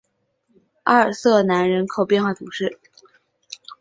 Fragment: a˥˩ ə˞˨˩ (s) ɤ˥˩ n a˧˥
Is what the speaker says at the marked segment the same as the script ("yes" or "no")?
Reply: yes